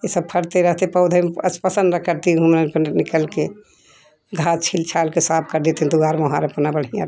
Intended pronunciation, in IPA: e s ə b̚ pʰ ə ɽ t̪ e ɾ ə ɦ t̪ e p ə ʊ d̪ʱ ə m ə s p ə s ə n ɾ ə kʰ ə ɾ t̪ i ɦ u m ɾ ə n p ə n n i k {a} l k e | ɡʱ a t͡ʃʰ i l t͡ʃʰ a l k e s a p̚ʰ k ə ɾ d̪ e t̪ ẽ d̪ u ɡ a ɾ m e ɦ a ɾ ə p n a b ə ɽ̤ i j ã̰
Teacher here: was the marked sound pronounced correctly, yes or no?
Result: no